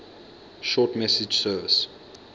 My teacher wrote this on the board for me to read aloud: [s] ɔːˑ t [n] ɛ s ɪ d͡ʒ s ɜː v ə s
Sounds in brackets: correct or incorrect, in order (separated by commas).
incorrect, incorrect